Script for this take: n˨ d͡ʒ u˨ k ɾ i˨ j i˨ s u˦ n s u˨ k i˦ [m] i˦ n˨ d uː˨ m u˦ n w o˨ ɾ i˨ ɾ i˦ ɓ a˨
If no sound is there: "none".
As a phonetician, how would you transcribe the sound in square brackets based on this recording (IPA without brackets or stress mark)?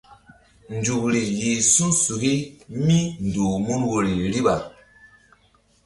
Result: m